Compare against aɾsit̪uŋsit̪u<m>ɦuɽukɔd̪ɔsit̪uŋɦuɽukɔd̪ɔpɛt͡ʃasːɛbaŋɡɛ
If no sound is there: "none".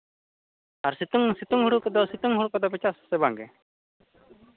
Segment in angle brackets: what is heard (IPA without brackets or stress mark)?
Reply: ŋ